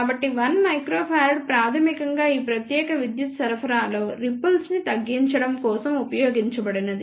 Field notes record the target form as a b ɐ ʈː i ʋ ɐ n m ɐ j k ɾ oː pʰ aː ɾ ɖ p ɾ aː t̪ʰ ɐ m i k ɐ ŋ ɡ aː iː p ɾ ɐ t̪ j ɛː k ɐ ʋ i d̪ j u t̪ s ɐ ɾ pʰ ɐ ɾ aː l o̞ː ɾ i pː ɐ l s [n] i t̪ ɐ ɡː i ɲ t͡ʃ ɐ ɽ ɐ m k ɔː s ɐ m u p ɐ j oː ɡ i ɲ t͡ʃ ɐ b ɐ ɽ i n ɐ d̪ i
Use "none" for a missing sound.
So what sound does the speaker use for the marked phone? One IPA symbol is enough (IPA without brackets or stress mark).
n